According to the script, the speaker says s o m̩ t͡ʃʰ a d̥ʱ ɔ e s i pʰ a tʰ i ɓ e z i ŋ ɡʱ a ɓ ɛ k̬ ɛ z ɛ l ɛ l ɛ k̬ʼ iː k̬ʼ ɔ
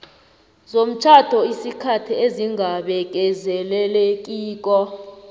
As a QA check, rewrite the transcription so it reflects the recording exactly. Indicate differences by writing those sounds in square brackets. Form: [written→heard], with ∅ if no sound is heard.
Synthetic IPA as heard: [s→z] o m̩ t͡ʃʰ a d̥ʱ ɔ [e→i] s i [pʰ→kʰ] a tʰ i [ɓ→∅] e z i ŋ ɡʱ a ɓ ɛ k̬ ɛ z ɛ l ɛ l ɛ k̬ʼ iː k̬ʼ ɔ